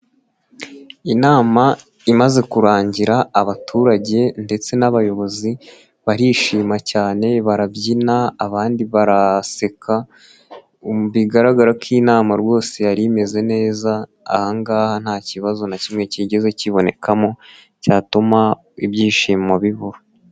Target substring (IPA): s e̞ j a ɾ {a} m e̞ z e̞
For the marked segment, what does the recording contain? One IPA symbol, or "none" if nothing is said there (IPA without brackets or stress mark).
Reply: i